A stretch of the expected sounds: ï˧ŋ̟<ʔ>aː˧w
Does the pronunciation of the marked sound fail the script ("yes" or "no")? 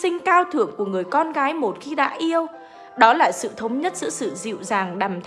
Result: yes